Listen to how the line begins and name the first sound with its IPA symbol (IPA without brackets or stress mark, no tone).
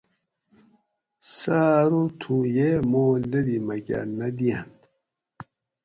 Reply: s